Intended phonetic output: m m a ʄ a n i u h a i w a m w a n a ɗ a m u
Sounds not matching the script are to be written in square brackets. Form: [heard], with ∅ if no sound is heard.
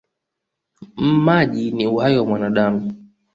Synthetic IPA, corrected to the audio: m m a ʄ [i] n i u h a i w a m w a n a ɗ a m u